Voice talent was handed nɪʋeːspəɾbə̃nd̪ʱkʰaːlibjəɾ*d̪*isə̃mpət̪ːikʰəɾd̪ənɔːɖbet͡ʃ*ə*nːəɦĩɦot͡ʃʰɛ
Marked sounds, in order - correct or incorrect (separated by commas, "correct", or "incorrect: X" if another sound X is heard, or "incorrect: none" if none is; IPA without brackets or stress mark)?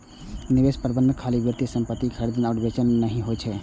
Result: incorrect: t̪, correct